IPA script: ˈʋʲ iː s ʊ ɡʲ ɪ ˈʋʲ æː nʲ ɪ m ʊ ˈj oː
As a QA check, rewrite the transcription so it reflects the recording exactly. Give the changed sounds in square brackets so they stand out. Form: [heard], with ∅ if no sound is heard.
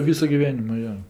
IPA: ˈʋʲ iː s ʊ ɡʲ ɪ ˈʋʲ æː nʲ ɪ m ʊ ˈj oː